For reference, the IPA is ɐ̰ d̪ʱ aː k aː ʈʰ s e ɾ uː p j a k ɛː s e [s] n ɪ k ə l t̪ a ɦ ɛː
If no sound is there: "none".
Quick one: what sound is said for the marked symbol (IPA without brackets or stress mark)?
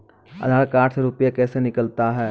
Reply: none